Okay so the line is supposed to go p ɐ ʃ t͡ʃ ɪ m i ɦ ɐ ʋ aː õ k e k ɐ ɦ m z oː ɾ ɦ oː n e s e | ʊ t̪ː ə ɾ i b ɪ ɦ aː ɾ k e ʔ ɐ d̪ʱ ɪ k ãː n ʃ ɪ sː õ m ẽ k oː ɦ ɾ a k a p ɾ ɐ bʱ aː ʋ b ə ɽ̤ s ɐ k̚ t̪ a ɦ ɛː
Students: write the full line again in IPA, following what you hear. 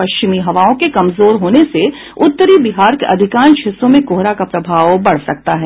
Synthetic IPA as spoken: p ɐ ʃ t͡ʃ ɪ m i ɦ ɐ ʋ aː õ k e k ɐ m z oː ɾ ɦ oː n e s e | ʊ t̪ː ə ɾ i b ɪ ɦ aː ɾ k e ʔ ɐ d̪ʱ ɪ k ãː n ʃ ɪ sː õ m ẽ k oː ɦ ɾ a k a p ɾ ɐ bʱ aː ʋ b ɐ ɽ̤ s ɐ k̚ t̪ a ɦ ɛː